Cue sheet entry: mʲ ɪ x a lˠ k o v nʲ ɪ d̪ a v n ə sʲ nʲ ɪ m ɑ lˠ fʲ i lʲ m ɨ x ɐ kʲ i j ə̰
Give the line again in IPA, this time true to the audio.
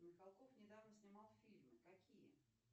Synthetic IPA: mʲ ɪ x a lˠ k o f nʲ ɪ d̪ a v n ə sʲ nʲ ɪ m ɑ lˠ fʲ i lʲ m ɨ k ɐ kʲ i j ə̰